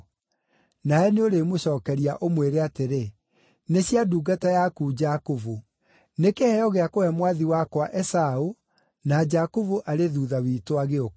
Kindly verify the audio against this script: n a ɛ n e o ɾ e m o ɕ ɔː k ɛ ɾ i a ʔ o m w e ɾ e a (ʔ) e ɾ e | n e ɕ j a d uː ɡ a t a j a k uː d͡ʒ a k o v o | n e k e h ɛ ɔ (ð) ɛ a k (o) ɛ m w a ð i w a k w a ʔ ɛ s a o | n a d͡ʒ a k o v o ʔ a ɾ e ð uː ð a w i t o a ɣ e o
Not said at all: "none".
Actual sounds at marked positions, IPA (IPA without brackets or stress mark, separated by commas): t, ɣ, o